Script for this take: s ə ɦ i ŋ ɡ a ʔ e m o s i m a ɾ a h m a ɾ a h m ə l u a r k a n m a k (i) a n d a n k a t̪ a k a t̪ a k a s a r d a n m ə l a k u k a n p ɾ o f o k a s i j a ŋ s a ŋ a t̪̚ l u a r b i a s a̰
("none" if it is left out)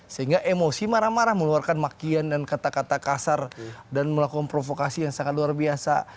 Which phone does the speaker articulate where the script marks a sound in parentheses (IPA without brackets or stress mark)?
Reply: i